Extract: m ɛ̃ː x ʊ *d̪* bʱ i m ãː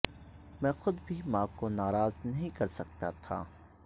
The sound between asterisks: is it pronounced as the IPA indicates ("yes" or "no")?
yes